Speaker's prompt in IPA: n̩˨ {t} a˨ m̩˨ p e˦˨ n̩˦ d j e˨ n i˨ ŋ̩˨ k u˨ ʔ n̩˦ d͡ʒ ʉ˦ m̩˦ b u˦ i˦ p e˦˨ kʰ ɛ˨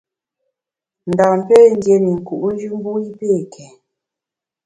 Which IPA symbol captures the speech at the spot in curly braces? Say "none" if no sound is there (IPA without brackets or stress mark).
d